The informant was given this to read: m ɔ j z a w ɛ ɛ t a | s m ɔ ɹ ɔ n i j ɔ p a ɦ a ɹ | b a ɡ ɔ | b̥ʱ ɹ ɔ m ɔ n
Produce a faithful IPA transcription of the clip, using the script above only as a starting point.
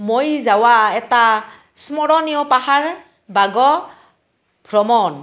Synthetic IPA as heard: m o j z a w a ɛ t a | s m ɔ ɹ ɔ n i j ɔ p a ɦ a ɹ | b a ɡ ɔ | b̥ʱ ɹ ɔ m ɔ n